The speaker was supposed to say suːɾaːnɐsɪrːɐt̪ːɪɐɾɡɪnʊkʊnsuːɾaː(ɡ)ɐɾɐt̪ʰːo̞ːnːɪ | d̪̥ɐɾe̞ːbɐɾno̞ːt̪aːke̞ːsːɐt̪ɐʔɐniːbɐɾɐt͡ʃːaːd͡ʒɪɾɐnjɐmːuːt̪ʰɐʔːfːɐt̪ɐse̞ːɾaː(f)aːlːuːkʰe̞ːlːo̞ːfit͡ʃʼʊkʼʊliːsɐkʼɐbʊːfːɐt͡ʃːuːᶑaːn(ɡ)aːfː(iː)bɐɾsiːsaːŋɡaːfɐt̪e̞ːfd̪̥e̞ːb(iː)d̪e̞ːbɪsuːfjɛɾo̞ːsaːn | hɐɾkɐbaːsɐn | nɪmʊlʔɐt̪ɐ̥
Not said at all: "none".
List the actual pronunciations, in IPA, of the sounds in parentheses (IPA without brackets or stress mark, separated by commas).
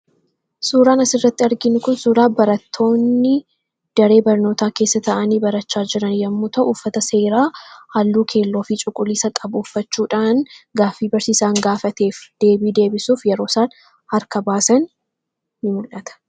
b, h, ɡ, iː, iː